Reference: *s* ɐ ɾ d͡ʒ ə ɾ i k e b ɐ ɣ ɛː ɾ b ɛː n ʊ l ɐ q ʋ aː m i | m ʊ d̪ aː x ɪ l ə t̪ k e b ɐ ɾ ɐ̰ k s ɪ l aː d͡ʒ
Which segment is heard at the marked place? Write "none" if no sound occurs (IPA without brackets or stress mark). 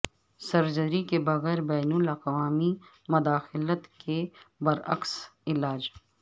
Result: s